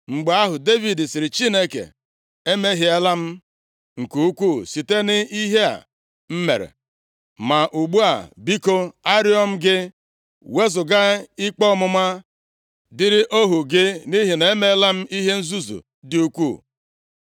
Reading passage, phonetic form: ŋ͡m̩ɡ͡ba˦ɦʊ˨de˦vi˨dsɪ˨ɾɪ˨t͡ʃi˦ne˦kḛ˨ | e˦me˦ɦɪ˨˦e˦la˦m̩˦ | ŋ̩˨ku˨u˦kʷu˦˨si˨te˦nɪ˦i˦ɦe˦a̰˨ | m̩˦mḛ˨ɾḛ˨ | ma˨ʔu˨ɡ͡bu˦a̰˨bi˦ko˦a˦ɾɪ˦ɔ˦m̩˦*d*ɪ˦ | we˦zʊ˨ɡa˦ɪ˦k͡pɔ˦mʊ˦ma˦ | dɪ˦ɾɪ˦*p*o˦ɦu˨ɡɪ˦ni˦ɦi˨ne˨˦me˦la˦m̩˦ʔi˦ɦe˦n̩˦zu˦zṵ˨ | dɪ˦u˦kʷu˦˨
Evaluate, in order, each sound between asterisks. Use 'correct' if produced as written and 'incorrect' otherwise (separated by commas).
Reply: incorrect, incorrect